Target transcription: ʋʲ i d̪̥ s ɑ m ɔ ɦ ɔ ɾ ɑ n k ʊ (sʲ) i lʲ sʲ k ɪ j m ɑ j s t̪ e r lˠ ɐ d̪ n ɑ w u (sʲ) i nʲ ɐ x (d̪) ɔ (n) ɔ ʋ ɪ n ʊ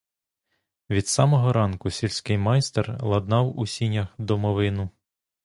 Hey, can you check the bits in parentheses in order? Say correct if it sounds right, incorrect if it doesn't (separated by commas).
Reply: correct, correct, correct, incorrect